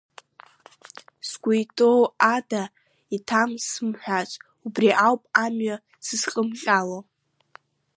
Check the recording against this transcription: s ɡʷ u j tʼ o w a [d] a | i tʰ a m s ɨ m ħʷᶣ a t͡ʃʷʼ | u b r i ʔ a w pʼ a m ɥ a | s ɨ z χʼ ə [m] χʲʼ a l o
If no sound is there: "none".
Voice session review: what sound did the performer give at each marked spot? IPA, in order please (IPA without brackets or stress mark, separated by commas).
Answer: d, m